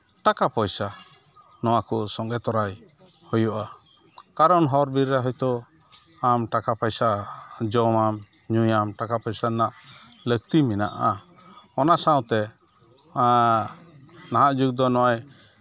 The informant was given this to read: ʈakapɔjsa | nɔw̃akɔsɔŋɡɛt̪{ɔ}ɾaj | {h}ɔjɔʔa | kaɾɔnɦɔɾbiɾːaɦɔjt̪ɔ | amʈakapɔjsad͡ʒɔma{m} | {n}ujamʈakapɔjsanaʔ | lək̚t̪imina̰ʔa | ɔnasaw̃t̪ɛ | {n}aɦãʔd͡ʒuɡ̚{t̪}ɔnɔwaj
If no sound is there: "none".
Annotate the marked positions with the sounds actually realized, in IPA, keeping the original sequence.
ɔ, h, m, ɲ, n, d̪

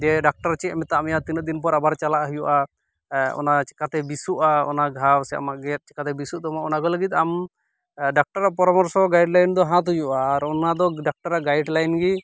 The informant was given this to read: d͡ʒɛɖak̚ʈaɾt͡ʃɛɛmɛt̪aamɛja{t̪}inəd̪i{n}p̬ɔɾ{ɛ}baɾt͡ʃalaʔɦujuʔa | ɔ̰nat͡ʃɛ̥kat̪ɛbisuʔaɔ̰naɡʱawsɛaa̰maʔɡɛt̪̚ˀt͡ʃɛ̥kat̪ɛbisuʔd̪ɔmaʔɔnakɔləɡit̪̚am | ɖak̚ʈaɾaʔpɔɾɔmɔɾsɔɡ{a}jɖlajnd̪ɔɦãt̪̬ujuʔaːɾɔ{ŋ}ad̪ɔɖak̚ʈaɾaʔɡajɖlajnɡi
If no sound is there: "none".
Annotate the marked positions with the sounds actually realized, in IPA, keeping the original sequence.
t̪, n, a, a, n

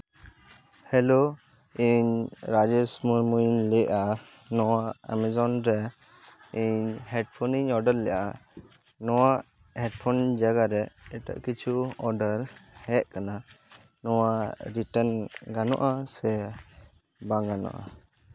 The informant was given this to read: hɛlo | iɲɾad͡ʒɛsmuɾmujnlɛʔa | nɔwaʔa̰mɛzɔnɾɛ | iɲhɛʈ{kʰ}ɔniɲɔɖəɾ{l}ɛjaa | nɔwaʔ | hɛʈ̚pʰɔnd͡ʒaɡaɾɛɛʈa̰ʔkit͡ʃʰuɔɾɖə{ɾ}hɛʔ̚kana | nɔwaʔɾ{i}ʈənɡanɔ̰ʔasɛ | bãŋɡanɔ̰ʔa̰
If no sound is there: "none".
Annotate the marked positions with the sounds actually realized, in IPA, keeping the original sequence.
pʰ, l, ɾ, i

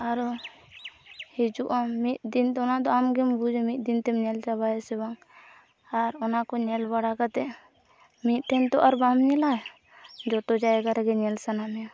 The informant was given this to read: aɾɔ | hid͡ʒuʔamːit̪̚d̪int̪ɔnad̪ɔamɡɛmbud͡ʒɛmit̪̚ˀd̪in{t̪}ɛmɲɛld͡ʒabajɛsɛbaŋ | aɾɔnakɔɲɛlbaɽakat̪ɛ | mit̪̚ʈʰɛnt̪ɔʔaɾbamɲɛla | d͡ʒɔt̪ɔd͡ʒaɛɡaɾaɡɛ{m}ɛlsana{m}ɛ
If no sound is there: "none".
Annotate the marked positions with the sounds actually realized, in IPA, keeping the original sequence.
t̪, ɲ, m

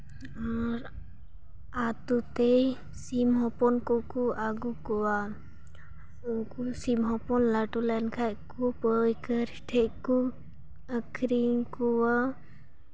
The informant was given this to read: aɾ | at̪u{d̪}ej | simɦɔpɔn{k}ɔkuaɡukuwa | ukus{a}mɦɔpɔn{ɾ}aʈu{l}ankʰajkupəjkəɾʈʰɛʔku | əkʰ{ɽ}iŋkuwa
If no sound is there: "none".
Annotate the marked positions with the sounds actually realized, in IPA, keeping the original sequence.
t̪, k, i, l, l, ɾ

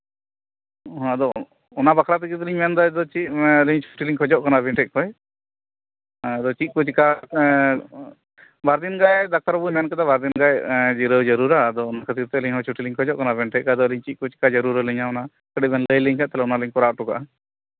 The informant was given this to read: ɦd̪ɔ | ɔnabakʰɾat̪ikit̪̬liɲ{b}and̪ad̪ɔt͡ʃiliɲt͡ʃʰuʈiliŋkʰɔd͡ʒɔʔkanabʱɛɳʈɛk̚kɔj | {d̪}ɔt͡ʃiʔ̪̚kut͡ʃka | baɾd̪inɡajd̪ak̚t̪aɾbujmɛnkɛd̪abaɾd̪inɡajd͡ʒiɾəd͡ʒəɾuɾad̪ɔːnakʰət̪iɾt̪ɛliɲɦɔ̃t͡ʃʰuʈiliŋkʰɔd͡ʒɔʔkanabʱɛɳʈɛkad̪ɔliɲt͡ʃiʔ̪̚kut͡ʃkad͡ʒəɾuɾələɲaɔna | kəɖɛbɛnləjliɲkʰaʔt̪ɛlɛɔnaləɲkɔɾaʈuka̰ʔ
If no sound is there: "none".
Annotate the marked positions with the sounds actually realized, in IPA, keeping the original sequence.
m, d̪

